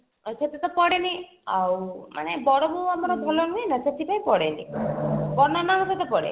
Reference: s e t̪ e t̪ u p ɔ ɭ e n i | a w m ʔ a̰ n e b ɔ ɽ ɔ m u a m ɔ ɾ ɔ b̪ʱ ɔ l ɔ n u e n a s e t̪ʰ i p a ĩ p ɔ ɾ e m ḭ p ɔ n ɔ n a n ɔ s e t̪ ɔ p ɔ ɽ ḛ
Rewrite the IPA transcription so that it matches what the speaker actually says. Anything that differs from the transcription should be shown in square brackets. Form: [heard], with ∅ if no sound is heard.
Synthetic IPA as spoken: s e t̪ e t̪ [ɔ] p ɔ [ɽ] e n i | a w m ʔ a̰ n e b ɔ ɽ ɔ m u a m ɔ ɾ ɔ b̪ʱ ɔ l ɔ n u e n a s e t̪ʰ i p a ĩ p ɔ [ɽ] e [n] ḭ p ɔ n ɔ n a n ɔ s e t̪ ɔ p ɔ ɽ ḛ